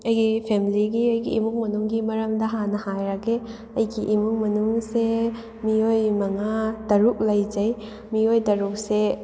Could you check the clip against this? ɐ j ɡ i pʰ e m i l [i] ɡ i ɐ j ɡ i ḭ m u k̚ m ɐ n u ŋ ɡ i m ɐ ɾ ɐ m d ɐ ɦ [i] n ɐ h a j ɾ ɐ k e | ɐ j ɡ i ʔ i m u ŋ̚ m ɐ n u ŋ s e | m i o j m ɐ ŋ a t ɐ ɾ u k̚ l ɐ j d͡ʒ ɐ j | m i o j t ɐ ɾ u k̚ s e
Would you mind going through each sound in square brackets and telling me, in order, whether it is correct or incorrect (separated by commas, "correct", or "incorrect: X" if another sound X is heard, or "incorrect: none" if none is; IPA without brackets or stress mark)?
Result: correct, incorrect: a